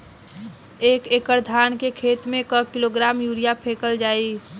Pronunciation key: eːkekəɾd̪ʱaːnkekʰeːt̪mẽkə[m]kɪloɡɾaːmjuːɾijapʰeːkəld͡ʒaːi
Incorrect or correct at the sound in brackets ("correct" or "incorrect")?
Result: incorrect